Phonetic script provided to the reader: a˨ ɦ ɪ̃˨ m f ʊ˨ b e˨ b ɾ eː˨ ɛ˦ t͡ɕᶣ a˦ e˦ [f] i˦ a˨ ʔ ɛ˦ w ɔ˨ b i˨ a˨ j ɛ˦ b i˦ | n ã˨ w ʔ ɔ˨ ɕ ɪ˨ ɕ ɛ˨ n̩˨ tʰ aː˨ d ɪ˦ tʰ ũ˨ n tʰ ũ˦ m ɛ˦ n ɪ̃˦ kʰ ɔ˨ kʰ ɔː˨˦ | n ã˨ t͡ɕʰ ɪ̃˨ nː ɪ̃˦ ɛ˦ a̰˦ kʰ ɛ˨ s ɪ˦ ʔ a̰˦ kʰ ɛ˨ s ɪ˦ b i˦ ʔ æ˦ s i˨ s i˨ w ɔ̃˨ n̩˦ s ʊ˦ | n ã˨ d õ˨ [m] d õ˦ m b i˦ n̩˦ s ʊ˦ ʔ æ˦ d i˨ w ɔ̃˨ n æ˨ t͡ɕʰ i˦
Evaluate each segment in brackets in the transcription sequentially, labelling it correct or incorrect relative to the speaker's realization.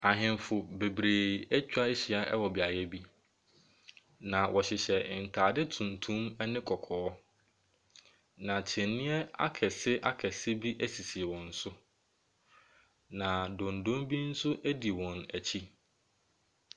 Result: incorrect: ɕ, incorrect: n

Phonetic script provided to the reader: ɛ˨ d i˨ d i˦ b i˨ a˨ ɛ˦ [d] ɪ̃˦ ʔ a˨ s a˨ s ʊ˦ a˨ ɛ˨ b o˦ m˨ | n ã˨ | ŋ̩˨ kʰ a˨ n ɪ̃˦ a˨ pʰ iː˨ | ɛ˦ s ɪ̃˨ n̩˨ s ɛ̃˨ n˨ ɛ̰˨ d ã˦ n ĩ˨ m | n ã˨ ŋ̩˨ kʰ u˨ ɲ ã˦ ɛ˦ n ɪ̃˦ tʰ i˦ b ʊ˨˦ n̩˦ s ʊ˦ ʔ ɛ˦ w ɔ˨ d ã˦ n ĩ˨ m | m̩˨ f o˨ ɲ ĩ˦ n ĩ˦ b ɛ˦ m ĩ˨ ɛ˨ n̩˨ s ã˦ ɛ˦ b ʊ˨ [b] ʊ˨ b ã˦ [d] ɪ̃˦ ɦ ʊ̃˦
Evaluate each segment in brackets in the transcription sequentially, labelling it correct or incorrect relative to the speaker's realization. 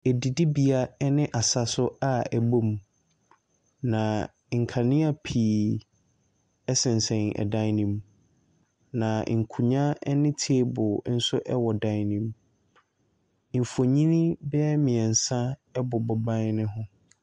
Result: incorrect: n, correct, incorrect: n

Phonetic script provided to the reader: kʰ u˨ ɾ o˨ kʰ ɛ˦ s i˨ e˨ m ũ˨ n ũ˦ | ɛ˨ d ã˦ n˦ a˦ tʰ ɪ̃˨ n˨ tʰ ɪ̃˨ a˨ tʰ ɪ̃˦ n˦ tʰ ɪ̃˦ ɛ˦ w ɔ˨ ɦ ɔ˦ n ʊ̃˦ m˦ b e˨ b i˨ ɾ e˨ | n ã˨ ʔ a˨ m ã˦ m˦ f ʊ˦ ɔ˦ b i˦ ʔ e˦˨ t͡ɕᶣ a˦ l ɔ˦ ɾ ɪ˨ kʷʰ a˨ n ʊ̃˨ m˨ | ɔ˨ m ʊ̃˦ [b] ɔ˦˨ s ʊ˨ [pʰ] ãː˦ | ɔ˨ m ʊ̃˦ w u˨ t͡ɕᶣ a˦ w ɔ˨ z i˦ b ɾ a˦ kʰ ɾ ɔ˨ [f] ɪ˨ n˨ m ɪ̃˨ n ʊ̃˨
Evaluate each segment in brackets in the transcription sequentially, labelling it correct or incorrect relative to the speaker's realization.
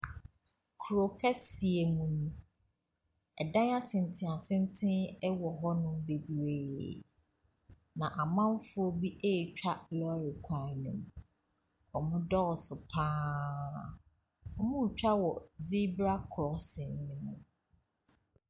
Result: incorrect: d, correct, incorrect: s

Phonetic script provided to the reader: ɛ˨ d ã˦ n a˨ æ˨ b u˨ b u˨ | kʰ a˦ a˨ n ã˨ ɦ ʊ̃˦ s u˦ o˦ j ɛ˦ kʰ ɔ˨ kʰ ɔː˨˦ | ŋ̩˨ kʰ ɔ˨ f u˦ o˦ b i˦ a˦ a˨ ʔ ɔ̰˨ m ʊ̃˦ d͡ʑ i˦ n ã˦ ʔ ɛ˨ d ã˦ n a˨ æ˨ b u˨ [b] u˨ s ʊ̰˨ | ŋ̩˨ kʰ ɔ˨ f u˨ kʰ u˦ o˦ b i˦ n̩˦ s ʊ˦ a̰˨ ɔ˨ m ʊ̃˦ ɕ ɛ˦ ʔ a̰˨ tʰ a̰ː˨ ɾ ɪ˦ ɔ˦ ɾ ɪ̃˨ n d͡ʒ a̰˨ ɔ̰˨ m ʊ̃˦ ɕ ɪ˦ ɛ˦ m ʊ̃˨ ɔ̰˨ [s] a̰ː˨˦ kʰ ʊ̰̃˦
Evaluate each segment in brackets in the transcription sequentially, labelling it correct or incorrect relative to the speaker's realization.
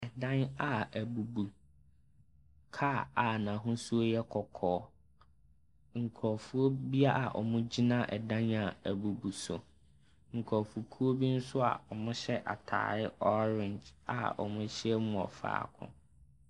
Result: correct, incorrect: f

